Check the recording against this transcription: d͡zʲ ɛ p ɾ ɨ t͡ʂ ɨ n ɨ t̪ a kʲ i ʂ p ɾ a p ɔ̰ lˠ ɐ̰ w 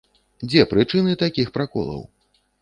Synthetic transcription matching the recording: d͡zʲ ɛ p ɾ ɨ t͡ʂ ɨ n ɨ t̪ a kʲ i x p ɾ a k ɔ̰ lˠ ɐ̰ w